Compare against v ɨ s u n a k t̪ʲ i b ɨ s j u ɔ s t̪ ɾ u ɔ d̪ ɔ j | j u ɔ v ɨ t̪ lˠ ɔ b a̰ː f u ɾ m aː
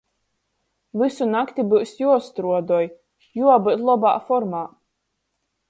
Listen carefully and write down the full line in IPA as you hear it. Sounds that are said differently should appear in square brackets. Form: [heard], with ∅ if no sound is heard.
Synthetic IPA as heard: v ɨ s u n a k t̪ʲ i b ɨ s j u ɔ s t̪ ɾ u ɔ d̪ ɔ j | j u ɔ [b] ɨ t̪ lˠ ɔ b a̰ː f [ɔ] ɾ m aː